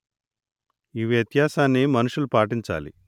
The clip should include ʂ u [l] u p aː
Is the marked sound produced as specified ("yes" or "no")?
yes